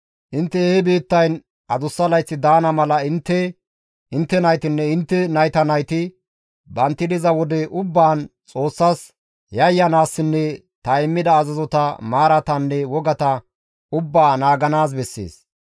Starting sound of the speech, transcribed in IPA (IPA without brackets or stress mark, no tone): ʔ